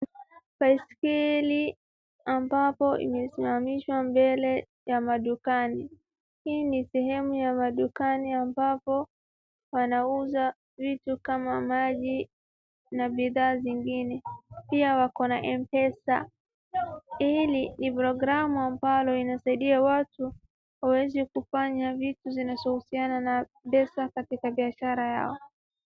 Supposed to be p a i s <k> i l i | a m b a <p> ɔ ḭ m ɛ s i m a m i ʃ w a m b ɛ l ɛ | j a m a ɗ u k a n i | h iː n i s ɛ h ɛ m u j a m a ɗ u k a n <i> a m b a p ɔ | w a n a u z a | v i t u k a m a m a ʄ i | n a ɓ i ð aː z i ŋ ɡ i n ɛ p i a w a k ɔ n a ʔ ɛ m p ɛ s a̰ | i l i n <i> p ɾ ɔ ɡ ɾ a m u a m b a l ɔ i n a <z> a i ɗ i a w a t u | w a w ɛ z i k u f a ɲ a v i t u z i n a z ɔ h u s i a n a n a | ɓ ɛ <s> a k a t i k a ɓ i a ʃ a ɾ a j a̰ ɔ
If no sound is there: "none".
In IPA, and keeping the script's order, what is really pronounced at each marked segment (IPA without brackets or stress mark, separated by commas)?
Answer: k, p, i, i, s, s